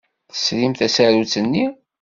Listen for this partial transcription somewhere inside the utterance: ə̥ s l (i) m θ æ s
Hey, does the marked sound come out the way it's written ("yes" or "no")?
yes